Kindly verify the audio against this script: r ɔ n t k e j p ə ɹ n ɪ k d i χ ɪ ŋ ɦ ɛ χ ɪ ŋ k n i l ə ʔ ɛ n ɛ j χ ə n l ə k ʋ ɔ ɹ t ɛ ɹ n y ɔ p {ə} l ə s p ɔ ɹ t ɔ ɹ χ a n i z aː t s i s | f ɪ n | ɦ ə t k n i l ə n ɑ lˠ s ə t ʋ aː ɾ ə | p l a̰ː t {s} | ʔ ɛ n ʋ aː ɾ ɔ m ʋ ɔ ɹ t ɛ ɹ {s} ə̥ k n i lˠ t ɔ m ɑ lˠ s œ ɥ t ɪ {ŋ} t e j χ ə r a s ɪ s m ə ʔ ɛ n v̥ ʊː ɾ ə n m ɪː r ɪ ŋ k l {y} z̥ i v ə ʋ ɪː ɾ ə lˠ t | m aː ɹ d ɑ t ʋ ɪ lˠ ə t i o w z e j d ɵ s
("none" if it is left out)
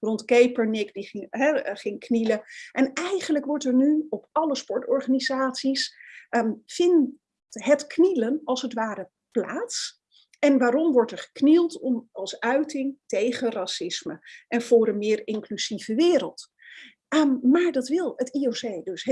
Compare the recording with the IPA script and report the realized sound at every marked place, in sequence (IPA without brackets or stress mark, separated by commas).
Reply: ɑ, s, χ, ŋ, y